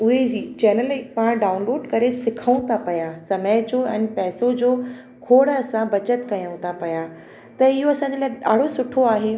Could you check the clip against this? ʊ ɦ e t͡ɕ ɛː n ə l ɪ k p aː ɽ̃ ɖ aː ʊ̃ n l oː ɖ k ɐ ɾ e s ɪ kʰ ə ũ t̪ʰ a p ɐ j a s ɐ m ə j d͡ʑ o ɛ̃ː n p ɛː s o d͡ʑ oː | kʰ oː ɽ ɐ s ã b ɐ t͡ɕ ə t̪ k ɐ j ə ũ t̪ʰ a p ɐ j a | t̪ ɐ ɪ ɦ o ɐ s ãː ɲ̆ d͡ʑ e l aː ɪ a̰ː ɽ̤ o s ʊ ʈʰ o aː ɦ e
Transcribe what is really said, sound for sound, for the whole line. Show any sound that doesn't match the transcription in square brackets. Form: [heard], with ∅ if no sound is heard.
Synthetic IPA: ʊ ɦ e t͡ɕ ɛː n ə l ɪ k p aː ɽ̃ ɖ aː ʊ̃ n l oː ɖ k ɐ ɾ e s ɪ kʰ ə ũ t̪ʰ a p ɐ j a s ɐ m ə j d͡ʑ o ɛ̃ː n p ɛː s o d͡ʑ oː | kʰ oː ɽ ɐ s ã b ɐ t͡ɕ ə t̪ k ɐ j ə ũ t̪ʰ a p ɐ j a | t̪ ɐ ɪ ɦ o ɐ s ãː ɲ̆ d͡ʑ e l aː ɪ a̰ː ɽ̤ o s ʊ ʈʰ o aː ɦ e